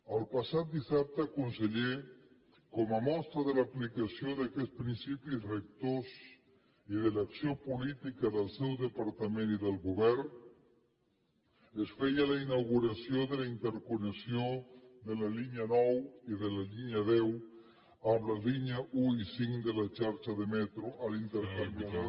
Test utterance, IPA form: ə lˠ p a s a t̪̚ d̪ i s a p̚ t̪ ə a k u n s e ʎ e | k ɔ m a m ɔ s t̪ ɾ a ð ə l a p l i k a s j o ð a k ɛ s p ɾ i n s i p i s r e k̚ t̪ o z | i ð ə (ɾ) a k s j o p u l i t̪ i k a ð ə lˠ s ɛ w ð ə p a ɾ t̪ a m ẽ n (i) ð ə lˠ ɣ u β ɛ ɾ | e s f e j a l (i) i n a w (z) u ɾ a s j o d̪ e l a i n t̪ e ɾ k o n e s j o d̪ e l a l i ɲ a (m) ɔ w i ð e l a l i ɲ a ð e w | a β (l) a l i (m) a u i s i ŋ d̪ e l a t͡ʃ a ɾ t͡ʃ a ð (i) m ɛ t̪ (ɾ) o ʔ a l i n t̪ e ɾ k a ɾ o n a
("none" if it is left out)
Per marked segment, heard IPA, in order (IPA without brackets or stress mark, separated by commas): l, i, a, ɣ, n, l, ɲ, e, ɾ